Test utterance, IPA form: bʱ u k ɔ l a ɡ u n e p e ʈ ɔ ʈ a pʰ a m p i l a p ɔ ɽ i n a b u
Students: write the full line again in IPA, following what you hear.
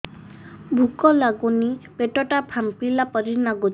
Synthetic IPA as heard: bʱ u k ɔ l a ɡ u n i p e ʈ ɔ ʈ a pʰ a m p i l a p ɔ ɾ i n a ɡ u